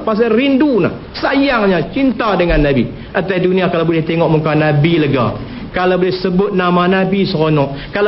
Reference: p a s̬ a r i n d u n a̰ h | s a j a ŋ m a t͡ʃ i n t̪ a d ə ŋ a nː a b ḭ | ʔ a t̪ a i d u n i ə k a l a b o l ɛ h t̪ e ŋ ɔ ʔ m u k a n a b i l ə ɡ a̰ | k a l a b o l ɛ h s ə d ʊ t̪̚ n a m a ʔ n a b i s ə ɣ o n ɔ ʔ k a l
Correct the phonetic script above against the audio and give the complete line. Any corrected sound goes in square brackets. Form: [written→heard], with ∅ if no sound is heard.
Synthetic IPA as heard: p a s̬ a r i n d u n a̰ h | s a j a ŋ [m→ɲ] a t͡ʃ i n t̪ a d ə ŋ a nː a b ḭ | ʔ a t̪ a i d u n i [ə→a] k a l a b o l ɛ h t̪ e ŋ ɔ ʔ m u k a n a b i l ə ɡ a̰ | k a l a b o l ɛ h s ə [d→b] ʊ t̪̚ n a m a [ʔ→∅] n a b i s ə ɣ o n ɔ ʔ k a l